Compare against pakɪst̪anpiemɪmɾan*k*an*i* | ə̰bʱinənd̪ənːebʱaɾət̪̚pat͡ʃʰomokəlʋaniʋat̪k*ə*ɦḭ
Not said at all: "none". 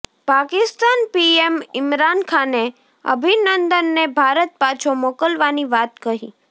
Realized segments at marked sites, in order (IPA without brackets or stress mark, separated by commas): kʰ, e, ə